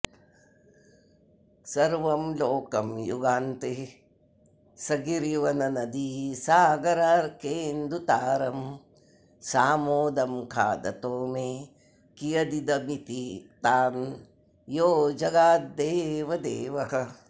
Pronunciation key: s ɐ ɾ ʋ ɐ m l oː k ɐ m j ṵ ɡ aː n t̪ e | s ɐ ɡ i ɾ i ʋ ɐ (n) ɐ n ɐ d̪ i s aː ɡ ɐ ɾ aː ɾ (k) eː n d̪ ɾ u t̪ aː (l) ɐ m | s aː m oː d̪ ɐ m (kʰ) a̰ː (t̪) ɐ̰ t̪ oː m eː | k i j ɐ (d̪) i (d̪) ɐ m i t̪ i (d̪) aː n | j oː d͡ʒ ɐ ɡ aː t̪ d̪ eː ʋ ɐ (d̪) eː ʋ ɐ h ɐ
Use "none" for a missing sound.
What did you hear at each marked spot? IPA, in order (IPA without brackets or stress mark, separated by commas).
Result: n, k, ɾ, kʰ, d̪, d̪, d̪, t̪, d̪